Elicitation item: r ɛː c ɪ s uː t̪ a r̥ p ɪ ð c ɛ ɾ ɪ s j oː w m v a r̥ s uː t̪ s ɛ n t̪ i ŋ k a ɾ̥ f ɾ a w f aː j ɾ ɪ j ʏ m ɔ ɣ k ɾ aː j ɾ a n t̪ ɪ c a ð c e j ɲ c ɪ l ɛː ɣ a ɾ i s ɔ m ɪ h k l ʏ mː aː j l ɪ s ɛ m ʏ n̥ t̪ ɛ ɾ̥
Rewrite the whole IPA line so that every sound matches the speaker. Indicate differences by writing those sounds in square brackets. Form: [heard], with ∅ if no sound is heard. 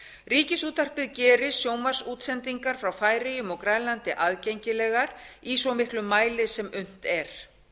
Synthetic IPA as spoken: r [iː] c ɪ s uː t̪ a r̥ p ɪ ð c [ɛː] ɾ ɪ s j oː w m v a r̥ s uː t̪ s ɛ n t̪ i ŋ k a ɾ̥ f ɾ a w f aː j ɾ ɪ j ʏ m ɔ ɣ k ɾ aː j [l] a n t̪ ɪ [ʔ] a ð c e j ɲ c ɪ l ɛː ɣ a ɾ i s ɔ m ɪ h k l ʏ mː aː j l ɪ s ɛ m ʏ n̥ t̪ ɛ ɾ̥